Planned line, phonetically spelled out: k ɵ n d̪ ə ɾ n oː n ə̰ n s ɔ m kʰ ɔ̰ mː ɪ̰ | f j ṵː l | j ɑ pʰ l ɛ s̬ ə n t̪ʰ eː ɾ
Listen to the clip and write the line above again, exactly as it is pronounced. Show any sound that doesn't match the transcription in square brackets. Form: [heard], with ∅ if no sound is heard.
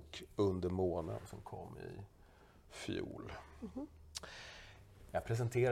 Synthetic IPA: k ɵ n d̪ ə ɾ [m] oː n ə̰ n s ɔ m kʰ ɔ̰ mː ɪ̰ | f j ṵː l | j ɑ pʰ [ɾ] ɛ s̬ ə n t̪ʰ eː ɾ